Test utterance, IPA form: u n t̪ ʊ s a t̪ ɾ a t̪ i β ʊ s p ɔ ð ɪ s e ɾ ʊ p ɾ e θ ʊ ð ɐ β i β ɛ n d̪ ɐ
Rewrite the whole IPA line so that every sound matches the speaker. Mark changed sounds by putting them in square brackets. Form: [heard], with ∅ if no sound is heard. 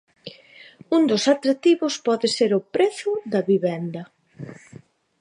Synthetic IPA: u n [d̪] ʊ s a t̪ ɾ a t̪ i β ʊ s p ɔ ð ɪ s e ɾ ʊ p ɾ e θ ʊ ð ɐ β i β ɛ n d̪ ɐ